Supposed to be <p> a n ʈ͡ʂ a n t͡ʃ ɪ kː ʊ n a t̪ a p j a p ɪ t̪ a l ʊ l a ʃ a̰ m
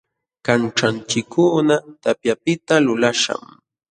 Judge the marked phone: incorrect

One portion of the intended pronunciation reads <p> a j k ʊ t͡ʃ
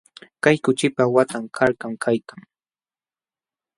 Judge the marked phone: incorrect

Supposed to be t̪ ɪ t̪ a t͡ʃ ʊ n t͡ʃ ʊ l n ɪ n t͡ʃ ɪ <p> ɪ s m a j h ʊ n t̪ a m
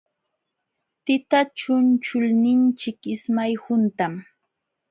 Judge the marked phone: incorrect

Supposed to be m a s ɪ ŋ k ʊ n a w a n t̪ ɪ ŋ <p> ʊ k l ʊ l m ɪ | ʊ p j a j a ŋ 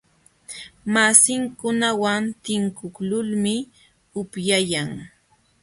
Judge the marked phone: incorrect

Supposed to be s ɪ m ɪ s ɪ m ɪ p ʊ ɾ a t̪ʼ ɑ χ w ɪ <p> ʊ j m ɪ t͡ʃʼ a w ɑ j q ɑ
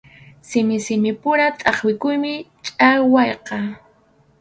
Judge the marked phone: incorrect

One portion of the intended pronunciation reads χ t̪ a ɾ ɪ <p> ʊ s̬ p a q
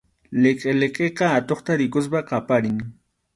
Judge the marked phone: incorrect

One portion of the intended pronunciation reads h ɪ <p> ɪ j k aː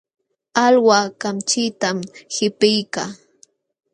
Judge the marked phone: correct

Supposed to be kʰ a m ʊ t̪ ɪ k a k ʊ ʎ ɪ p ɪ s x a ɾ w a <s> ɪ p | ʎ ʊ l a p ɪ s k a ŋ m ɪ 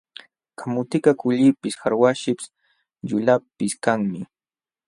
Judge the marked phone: incorrect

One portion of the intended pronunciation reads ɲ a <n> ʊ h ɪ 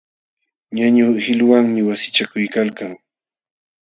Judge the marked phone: incorrect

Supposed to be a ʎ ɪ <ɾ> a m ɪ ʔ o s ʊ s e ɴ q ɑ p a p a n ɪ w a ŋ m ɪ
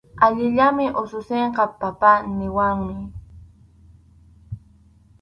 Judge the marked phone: incorrect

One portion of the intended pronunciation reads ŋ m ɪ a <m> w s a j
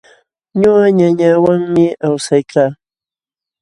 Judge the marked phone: incorrect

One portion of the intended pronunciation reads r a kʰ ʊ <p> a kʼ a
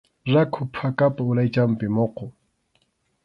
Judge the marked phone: incorrect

